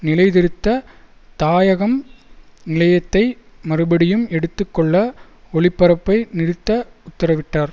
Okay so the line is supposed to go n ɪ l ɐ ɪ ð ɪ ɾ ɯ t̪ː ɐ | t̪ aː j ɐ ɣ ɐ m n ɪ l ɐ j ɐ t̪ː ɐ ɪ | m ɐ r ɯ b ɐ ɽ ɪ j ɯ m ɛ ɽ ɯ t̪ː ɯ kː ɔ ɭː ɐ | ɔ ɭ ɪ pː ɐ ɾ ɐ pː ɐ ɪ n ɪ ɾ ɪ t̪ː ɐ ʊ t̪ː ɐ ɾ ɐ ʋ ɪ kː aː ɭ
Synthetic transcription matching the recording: n ɪ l ɐ ɪ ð ɪ ɾ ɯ t̪ː ɐ | t̪ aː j ɐ ɣ ɐ m n ɪ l ɐ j ɐ t̪ː ɐ ɪ | m ɐ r ɯ b ɐ ɽ ɪ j ɯ m ɛ ɽ ɯ t̪ː ɯ kː ɔ ɭː ɐ | ɔ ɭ ɪ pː ɐ ɾ ɐ pː ɐ ɪ n ɪ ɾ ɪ t̪ː ɐ ʊ t̪ː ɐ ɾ ɐ ʋ ɪ ʈː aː ɾ